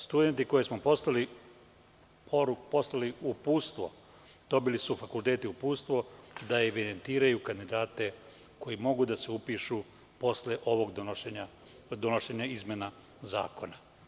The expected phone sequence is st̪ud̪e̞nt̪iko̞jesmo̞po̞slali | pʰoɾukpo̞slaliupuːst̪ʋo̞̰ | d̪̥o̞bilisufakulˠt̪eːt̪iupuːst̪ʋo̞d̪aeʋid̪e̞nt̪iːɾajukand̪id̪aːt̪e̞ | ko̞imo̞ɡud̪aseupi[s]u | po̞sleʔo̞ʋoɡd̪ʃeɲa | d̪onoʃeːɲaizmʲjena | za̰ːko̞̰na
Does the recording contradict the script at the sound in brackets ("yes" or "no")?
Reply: yes